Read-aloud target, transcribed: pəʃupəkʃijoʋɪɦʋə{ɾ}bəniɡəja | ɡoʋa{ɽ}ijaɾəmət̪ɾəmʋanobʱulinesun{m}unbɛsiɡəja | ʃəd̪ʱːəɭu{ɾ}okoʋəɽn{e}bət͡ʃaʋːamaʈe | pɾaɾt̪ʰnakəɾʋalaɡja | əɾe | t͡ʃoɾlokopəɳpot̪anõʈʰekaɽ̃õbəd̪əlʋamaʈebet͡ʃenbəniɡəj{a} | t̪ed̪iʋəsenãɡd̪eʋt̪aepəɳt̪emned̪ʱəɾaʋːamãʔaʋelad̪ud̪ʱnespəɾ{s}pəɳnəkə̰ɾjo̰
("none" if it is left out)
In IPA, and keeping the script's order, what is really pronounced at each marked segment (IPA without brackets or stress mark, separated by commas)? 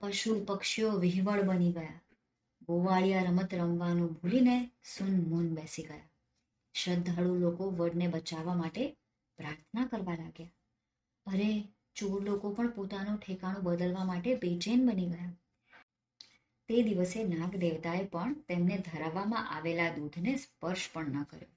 ɭ, ɭ, m, l, e, a, ʃ